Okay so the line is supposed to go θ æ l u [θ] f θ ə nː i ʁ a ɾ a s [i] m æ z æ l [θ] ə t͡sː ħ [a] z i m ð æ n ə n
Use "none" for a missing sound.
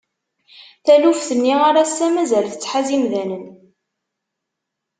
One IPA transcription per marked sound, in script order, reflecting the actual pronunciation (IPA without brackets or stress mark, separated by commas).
none, æ, θ, a